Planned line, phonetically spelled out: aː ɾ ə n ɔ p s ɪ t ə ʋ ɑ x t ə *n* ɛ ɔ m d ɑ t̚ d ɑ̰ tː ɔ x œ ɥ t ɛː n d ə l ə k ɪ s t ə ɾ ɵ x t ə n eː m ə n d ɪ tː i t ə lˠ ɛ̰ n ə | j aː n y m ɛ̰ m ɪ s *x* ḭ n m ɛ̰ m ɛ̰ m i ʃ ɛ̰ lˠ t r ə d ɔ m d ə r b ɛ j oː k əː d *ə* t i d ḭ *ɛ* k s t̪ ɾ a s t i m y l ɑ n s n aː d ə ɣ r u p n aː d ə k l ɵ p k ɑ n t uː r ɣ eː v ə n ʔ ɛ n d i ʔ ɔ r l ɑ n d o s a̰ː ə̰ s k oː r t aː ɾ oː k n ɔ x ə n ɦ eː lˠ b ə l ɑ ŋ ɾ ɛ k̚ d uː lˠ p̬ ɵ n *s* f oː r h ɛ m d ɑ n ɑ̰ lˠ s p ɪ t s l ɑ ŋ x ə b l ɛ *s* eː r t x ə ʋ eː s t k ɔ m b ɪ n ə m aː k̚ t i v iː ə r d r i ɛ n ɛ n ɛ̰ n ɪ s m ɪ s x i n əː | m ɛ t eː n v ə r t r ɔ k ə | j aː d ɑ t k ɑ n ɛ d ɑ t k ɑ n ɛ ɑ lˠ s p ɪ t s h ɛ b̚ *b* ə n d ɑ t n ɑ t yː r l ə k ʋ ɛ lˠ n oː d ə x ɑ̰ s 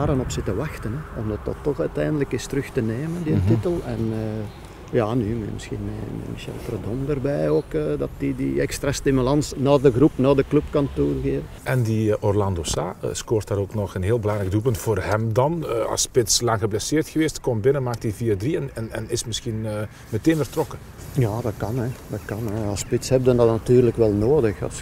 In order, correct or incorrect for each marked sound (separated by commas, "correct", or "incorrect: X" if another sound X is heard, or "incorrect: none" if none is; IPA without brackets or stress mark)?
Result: correct, correct, incorrect: ɑ, correct, incorrect: t, correct, incorrect: d